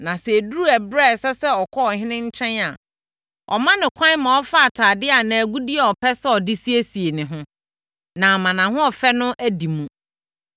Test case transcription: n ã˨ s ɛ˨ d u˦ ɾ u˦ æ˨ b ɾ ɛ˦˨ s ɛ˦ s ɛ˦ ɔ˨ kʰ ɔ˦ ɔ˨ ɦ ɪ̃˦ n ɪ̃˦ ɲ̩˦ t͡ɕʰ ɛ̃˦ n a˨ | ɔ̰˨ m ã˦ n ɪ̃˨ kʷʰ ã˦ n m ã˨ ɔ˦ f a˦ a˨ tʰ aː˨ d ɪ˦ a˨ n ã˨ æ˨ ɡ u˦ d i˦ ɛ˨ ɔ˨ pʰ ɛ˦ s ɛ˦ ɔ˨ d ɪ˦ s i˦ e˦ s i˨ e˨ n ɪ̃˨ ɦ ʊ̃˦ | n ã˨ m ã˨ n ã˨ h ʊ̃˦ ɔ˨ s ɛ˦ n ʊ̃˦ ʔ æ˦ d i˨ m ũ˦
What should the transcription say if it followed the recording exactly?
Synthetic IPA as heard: n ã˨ s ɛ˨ d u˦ ɾ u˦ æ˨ b ɾ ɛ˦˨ s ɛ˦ s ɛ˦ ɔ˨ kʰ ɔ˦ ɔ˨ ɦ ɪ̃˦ n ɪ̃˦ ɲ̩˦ t͡ɕʰ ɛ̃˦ n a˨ | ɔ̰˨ m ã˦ n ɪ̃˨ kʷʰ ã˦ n m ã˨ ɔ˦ f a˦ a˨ tʰ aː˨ d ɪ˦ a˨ n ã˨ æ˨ ɡ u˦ d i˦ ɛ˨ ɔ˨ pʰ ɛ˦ s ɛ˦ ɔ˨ d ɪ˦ s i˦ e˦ s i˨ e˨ n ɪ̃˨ ɦ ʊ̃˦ | n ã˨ m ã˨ n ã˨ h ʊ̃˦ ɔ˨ f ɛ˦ n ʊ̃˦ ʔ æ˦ d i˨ m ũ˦